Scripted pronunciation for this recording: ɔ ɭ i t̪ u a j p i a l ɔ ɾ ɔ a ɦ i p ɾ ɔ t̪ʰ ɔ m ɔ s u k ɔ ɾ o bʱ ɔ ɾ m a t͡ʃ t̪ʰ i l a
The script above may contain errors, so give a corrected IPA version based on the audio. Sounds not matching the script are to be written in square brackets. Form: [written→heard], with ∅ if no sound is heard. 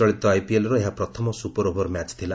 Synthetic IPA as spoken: ɔ ɭ i t̪ [u→ɔ] a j p i [a→e] l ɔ ɾ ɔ [a→e] ɦ [i→a] p ɾ ɔ t̪ʰ ɔ m ɔ s u [k→p] ɔ ɾ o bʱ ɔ ɾ m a t͡ʃ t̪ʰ i l a